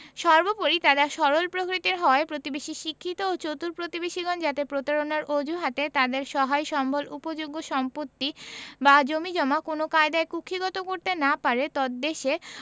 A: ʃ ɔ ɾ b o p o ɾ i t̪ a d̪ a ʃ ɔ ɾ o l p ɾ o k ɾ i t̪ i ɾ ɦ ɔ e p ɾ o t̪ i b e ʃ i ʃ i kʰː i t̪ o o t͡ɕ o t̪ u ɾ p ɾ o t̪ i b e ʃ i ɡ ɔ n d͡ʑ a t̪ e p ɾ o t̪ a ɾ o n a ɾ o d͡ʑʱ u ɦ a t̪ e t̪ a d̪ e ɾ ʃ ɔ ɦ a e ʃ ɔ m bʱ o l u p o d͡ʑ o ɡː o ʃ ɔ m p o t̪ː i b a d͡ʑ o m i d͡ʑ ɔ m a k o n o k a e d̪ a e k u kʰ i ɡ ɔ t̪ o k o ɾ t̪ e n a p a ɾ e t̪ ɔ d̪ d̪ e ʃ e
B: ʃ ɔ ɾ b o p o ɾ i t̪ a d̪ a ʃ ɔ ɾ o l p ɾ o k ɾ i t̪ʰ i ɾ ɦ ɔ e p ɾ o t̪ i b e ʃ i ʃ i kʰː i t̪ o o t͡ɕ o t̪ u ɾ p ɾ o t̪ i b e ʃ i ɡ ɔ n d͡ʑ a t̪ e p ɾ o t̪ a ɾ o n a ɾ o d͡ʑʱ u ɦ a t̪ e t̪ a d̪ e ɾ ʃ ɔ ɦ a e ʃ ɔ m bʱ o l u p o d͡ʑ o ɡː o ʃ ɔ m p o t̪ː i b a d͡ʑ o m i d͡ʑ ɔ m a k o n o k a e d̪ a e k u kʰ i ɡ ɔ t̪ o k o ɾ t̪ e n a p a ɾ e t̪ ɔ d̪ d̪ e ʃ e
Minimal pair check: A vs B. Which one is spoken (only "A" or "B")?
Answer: A